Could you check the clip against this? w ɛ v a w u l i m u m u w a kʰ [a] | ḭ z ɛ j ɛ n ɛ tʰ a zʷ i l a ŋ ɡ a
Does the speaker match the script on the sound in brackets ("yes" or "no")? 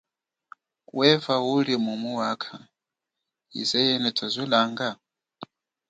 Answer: yes